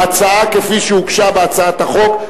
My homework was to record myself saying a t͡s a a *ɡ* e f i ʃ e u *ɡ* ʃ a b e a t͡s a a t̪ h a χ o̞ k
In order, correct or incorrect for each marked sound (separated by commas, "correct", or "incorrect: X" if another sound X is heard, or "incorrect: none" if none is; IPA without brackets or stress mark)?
incorrect: k, incorrect: k